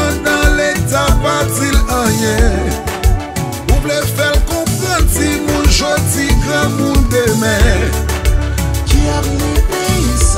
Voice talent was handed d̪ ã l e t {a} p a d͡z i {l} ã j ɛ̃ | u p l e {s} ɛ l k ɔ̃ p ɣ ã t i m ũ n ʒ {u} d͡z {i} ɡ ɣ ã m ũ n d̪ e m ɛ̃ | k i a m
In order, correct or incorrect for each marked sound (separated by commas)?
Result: correct, correct, incorrect, incorrect, correct